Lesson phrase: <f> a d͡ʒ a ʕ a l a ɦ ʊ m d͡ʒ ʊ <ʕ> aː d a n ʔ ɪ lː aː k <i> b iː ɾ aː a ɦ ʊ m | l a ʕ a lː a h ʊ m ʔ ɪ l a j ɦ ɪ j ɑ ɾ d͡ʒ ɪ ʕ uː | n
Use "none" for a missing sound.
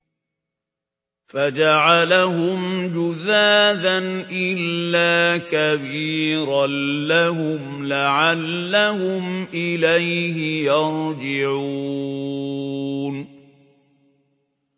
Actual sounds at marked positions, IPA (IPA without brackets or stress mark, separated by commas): f, z, a